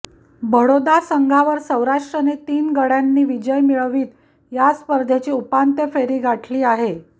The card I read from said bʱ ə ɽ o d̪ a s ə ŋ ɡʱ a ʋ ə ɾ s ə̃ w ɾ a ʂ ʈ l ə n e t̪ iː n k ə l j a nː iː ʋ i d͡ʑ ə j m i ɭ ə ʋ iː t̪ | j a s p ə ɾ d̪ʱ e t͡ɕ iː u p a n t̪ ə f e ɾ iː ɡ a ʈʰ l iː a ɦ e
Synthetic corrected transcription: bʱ ə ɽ o d̪ a s ə ŋ ɡʱ a ʋ ə ɾ s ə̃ w ɾ a ʂ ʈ ɾ ə n e t̪ iː n ɡ ə ɽ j a nː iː ʋ i d͡ʑ ə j m i ɭ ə ʋ iː t̪ | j a s p ə ɾ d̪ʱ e t͡ɕ iː u p a n t̪ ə f e ɾ iː ɡ a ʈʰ l iː a ɦ e

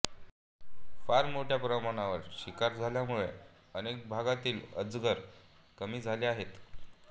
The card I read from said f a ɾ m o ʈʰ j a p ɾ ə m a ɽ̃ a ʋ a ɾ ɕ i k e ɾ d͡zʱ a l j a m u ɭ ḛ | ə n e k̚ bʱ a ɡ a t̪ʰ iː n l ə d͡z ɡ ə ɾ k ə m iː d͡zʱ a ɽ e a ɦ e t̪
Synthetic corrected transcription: f a ɾ m o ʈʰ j a p ɾ ə m a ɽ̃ a ʋ ə ɾ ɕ i k a ɾ d͡zʱ a l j a m u ɭ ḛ | ə n e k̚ bʱ a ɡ a t̪ iː l ə d͡z ɡ ə ɾ k ə m iː d͡zʱ a l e a ɦ e t̪

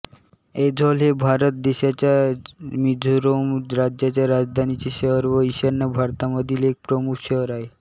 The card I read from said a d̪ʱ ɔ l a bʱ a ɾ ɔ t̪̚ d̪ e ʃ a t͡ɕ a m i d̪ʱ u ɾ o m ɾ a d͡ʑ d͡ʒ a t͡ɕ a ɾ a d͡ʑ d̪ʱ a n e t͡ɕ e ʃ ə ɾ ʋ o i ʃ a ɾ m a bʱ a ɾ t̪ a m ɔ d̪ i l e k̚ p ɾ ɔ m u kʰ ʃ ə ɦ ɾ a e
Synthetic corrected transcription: e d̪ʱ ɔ l e bʱ a ɾ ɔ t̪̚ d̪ e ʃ a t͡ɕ a m i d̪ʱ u ɾ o m ɾ a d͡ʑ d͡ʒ a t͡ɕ a ɾ a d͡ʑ d̪ʱ a n i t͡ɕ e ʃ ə ɾ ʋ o i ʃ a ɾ n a bʱ a ɾ t̪ a m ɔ d̪ i l e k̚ p ɾ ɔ m u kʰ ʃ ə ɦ ɾ a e

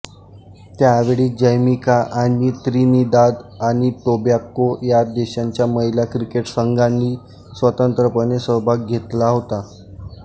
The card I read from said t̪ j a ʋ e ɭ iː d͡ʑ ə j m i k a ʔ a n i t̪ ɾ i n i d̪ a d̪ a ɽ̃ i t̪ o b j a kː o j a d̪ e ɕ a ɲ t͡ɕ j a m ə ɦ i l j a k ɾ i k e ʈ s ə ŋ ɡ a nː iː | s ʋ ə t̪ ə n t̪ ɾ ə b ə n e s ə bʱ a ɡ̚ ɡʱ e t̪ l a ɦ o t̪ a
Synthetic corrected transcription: t̪ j a ʋ e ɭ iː d͡ʑ ə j m i k a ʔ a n i t̪ ɾ i n i d̪ a d̪ a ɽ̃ i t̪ o b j a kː o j a d̪ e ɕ a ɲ t͡ɕ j a m ə ɦ i l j a k ɾ i k e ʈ s ə ŋ ɡ a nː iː | s ʋ ə t̪ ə n t̪ ɾ ə p ə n e s ə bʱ a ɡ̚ ɡʱ e t̪ l a ɦ o t̪ a

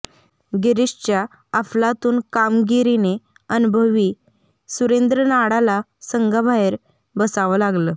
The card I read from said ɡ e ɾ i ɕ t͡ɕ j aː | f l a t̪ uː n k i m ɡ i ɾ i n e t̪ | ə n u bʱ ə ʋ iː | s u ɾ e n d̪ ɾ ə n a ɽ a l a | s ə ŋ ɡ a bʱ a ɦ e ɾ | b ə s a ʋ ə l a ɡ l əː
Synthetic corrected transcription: ɡ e ɾ i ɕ t͡ɕ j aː | f l a t̪ uː n k a m ɡ i ɾ i n e | ə n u bʱ ə ʋ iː | s u ɾ e n d̪ ɾ ə n a ɽ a l a | s ə ŋ ɡ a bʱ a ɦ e ɾ | b ə s a ʋ ə l a ɡ l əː

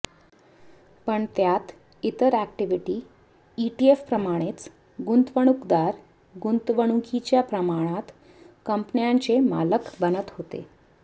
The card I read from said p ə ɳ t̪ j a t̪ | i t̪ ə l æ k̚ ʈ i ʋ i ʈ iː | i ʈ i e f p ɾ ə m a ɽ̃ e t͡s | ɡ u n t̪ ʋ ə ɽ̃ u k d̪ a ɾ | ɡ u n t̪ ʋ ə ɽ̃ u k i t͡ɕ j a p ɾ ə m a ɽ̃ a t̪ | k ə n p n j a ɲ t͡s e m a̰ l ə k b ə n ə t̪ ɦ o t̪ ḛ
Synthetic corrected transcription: p ə ɳ t̪ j a t̪ | i t̪ ə ɾ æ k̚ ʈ i ʋ i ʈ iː | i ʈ i e f p ɾ ə m a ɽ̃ e t͡s | ɡ u n t̪ ʋ ə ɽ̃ u k d̪ a ɾ | ɡ u n t̪ ʋ ə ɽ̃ u k i t͡ɕ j a p ɾ ə m a ɽ̃ a t̪ | k ə m p n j a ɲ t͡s e m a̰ l ə k b ə n ə t̪ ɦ o t̪ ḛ

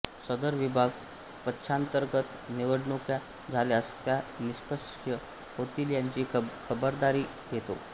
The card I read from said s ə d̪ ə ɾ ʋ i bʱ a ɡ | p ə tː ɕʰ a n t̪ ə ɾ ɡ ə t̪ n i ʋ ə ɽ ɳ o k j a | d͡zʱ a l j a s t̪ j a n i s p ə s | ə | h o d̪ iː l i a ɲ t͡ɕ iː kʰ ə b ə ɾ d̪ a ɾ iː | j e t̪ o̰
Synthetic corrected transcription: s ə d̪ ə ɾ ʋ i bʱ a ɡ | p ə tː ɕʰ a n t̪ ə ɾ ɡ ə t̪ n i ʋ ə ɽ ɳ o k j a | d͡zʱ a l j a s t̪ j a n i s p ə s | ə | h o t̪ iː l j a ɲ t͡ɕ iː kʰ ə b ə ɾ d̪ a ɾ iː | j e t̪ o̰

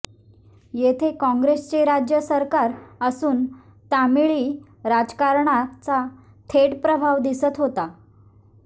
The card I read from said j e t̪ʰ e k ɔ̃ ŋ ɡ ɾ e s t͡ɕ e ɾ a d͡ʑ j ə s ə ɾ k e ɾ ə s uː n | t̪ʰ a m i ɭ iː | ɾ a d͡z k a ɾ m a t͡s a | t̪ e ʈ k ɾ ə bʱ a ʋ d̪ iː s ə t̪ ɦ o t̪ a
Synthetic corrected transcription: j e t̪ʰ e k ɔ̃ ŋ ɡ ɾ e s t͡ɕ e ɾ a d͡ʑ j ə s ə ɾ k a ɾ ə s uː n | t̪ a m i ɭ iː | ɾ a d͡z k a ɾ ɳ a t͡s a | t̪ʰ e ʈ p ɾ ə bʱ a ʋ d̪ i s ə t̪ ɦ o t̪ a

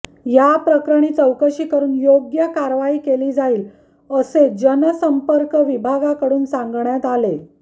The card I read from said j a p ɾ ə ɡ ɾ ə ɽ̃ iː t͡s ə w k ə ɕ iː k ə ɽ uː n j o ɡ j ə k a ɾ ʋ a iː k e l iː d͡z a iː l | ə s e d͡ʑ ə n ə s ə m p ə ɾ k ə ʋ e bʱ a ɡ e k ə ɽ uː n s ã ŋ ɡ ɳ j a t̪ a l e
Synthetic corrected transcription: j a p ɾ ə k ɾ ə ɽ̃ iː t͡s ə w k ə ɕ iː k ə ɾ uː n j o ɡ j ə k a ɾ ʋ a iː k e l iː d͡z a iː l | ə s e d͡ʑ ə n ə s ə m p ə ɾ k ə ʋ i bʱ a ɡ a k ə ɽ uː n s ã ŋ ɡ ɳ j a t̪ a l e

